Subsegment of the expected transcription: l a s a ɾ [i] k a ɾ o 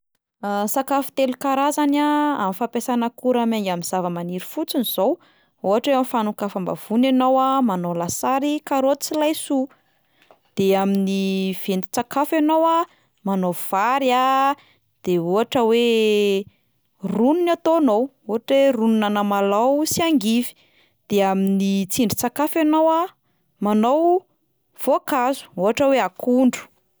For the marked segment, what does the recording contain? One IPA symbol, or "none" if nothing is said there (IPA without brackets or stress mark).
i